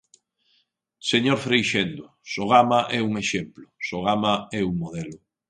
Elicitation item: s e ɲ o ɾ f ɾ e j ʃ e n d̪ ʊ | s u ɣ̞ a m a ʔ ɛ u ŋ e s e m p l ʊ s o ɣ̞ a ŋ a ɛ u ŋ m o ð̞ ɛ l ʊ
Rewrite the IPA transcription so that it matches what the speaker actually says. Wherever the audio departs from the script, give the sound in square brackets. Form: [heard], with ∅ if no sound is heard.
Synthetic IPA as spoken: s e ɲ o ɾ f ɾ e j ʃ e n d̪ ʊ | s [o] ɣ̞ a m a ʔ ɛ u ŋ e [ʃ] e m p l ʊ s o ɣ̞ a [m] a ɛ u ŋ m o ð̞ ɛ l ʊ